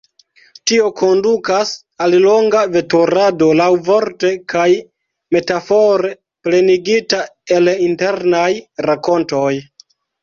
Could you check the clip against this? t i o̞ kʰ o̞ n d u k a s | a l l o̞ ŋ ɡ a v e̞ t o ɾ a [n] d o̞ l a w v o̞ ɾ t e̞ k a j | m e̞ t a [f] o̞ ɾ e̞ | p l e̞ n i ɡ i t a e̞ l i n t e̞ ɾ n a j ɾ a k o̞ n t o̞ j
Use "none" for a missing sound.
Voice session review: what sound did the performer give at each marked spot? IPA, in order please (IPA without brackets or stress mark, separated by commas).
none, f